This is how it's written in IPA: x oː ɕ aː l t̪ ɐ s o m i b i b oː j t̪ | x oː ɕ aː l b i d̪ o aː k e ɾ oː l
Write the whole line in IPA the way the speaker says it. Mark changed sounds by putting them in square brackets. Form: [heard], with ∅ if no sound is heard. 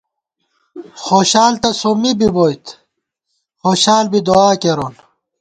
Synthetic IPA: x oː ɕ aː l t̪ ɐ s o m i b i b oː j t̪ | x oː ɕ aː l b i d̪ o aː k e ɾ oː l